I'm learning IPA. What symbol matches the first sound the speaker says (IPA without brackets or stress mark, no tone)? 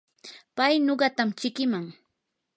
p